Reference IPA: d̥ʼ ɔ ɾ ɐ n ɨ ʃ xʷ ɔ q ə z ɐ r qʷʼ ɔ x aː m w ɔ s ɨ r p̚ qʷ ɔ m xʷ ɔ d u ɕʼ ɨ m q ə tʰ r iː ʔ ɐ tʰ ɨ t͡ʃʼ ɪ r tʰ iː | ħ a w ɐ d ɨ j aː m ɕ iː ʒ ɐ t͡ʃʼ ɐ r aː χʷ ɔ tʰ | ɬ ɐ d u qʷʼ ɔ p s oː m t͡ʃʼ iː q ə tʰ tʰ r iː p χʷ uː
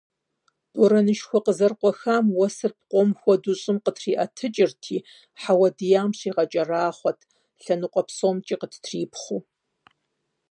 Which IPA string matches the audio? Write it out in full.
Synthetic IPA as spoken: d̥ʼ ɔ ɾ ɐ n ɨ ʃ xʷ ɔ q ə z ɐ r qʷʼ ɔ x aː m w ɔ s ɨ r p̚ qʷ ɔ m xʷ ɔ d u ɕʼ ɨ m q ə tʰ r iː ʔ ɐ tʰ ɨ t͡ʃʼ ɪ r tʰ iː | ħ a w ɐ d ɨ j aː m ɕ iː ʁ ɐ t͡ʃʼ ɐ r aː χʷ ɔ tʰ | ɬ ɐ n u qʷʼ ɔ p s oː m t͡ʃʼ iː q ə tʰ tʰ r iː p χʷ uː